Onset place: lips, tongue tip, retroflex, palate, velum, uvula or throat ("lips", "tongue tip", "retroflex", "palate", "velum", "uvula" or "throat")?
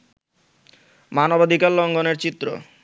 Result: lips